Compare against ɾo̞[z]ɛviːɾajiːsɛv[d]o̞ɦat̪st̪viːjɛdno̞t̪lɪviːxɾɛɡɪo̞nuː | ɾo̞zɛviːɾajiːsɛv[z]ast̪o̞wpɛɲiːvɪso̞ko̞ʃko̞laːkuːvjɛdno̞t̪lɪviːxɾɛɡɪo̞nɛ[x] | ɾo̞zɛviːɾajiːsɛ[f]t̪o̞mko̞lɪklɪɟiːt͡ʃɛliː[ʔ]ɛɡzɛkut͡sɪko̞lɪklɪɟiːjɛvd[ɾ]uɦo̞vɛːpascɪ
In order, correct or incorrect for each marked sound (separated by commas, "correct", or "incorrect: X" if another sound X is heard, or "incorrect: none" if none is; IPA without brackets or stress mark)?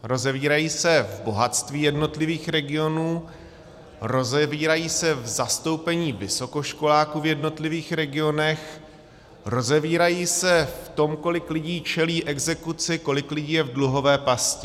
correct, incorrect: b, correct, correct, correct, correct, incorrect: l